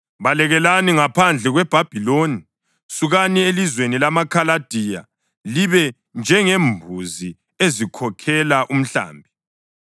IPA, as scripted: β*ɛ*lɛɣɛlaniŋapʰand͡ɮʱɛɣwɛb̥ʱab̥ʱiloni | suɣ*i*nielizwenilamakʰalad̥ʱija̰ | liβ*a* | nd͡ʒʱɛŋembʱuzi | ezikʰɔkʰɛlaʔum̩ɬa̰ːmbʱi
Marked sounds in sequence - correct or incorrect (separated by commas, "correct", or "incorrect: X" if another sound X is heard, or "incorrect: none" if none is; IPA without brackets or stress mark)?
incorrect: a, incorrect: a, incorrect: ɛ